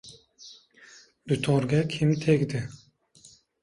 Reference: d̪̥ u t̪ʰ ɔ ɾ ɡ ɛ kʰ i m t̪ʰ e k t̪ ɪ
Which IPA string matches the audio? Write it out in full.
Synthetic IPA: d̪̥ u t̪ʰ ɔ ɾ ɡ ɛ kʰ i m t̪ʰ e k d̪ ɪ